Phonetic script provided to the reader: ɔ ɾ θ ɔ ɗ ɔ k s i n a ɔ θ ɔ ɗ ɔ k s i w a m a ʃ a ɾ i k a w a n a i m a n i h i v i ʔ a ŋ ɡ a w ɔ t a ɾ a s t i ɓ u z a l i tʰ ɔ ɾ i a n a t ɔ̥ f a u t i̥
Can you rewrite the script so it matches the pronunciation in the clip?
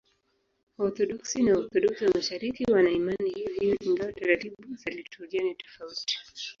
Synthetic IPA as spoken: ɔ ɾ θ ɔ ɗ ɔ k s i n a ɔ θ ɔ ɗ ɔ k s i w a m a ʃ a ɾ i k i w a n a i m a n i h i v i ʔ i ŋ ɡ a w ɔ t a ɾ a t i ɓ u z a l i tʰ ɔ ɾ i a n i t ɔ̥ f a u t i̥